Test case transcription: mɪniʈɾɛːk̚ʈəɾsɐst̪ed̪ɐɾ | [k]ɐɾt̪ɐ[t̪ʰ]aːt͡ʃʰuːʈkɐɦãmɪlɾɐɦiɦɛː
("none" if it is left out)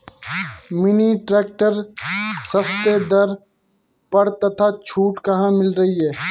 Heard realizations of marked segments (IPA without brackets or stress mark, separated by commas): p, t̪ʰ